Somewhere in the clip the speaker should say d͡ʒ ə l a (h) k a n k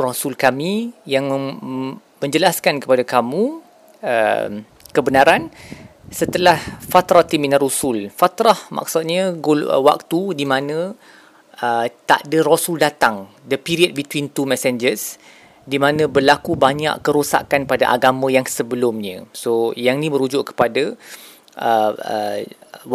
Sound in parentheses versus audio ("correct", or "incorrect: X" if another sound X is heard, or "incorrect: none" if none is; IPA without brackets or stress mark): incorrect: s